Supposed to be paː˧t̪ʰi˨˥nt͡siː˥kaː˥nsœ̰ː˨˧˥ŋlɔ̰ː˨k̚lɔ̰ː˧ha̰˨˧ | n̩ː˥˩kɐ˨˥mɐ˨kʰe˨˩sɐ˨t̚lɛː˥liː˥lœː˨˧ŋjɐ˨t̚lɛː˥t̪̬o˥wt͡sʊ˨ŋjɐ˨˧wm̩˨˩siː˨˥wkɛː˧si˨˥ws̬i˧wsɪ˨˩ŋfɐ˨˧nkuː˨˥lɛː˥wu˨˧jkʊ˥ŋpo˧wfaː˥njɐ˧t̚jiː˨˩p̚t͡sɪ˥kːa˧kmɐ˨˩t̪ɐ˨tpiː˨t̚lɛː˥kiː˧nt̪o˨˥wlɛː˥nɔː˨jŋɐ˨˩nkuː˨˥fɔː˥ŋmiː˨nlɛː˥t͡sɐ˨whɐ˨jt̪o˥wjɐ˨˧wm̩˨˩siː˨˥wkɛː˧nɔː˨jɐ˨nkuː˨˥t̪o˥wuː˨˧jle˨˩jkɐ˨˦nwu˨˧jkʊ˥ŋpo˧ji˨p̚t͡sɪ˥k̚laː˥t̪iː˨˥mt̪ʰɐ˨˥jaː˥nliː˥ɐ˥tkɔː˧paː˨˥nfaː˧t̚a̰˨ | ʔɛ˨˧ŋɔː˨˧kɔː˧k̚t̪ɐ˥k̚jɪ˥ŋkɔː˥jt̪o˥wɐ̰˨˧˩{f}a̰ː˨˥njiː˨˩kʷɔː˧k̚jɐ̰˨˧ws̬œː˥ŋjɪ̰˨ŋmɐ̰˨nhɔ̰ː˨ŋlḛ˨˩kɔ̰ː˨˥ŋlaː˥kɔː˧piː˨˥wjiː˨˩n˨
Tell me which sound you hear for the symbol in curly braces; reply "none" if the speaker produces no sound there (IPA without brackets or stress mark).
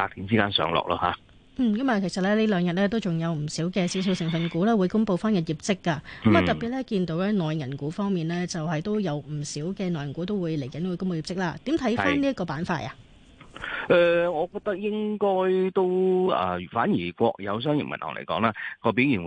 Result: f